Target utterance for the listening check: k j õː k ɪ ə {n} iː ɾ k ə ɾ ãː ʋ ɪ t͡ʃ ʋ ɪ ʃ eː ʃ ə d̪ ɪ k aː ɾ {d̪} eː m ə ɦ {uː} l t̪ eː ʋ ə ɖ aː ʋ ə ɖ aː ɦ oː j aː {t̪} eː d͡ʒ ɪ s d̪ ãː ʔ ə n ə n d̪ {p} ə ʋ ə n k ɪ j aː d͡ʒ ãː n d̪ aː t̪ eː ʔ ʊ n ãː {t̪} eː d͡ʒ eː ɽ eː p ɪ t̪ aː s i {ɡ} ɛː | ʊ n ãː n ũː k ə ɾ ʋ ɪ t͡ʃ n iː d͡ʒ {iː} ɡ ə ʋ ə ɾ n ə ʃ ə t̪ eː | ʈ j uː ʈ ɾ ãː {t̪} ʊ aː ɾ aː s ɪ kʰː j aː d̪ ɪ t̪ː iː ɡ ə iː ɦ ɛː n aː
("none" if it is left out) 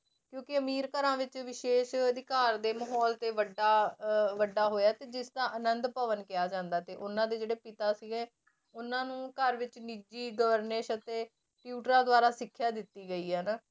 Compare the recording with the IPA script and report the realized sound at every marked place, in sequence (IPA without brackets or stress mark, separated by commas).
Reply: m, d̪, ɔː, t̪, p, d̪, ɡ, iː, d̪